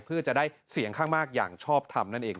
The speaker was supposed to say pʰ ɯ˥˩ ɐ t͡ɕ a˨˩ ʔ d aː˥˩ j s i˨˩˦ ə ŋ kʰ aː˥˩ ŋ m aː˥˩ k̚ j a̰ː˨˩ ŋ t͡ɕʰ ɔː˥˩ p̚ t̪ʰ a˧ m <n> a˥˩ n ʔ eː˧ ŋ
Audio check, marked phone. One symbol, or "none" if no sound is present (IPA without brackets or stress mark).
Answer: n